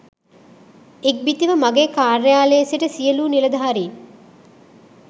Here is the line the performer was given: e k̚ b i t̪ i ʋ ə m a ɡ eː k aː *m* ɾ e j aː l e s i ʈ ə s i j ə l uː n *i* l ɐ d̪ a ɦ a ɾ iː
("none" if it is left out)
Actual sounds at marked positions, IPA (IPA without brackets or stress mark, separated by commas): none, i